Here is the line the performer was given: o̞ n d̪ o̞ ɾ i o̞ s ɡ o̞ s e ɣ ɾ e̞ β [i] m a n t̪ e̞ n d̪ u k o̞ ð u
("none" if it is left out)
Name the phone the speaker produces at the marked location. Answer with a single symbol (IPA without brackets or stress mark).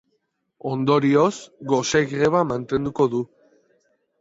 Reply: a